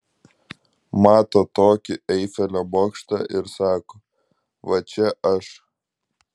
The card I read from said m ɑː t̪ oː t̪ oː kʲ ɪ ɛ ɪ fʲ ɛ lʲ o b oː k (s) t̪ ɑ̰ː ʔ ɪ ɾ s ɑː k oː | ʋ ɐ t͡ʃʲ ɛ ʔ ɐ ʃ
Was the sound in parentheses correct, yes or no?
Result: no